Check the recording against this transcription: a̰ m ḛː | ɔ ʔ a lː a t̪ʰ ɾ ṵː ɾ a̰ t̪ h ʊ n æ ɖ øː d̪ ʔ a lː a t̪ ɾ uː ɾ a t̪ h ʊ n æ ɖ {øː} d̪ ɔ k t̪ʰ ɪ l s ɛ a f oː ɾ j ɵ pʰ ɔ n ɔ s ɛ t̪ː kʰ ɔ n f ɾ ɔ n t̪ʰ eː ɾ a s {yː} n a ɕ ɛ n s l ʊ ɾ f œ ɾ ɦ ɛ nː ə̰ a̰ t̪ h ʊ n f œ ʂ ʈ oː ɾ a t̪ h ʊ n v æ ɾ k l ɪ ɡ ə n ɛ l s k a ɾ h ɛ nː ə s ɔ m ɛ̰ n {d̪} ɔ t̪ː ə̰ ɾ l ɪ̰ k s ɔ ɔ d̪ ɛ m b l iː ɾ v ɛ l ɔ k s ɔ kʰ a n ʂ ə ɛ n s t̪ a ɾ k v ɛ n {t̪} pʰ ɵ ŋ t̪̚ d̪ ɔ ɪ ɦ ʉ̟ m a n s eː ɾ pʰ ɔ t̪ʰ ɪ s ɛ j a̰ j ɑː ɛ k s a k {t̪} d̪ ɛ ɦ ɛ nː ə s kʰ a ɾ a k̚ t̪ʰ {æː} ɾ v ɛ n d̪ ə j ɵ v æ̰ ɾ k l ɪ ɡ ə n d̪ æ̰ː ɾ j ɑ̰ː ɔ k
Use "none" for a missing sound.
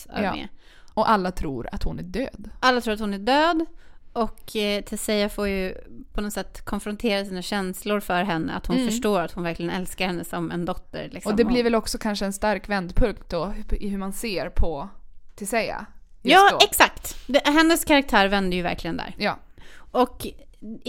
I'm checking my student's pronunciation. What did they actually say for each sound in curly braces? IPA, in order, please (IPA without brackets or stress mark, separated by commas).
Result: øː, iː, d̪, d̪, t̪, æː